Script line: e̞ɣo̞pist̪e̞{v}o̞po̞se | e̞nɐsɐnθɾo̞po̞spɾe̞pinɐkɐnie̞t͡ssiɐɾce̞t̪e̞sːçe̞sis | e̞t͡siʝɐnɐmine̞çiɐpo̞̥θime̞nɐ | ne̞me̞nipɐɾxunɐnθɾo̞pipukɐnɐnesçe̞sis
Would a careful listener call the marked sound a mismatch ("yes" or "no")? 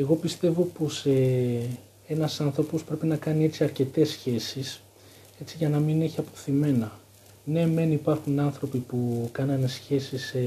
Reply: no